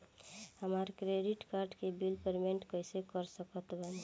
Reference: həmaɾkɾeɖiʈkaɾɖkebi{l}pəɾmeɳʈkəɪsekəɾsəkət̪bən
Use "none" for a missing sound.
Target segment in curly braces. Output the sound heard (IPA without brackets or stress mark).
l